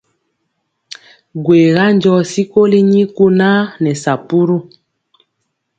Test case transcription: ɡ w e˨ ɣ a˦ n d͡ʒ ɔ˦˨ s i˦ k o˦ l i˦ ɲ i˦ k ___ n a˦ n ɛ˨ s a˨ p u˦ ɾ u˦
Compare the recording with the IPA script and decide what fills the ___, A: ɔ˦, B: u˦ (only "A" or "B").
B